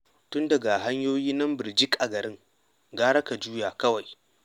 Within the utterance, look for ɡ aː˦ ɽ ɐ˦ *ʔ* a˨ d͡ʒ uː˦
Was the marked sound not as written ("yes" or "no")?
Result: yes